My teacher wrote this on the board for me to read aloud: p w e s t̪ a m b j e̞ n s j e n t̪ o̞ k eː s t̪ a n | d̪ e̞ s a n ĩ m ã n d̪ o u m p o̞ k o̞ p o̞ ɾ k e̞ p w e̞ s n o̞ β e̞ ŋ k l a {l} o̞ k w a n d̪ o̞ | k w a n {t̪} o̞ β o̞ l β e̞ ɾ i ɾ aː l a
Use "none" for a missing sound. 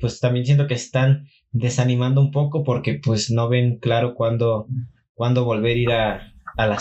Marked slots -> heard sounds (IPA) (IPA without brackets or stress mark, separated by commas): ɾ, d̪